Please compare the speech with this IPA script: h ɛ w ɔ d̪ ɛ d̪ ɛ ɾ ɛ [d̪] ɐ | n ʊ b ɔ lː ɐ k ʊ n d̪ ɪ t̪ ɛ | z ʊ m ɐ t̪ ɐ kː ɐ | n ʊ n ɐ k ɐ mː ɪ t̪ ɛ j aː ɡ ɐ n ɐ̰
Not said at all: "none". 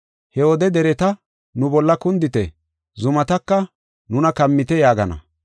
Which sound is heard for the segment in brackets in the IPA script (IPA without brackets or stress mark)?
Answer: t̪